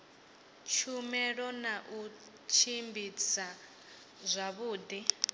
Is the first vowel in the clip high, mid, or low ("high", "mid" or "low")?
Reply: high